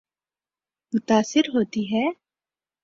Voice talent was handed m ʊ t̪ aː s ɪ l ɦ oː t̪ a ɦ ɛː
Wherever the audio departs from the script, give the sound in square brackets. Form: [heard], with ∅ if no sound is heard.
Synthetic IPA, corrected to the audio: m ʊ t̪ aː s ɪ [ɾ] ɦ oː t̪ [i] ɦ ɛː